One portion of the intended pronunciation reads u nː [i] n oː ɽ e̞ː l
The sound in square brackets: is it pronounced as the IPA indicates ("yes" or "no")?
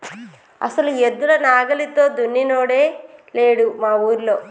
yes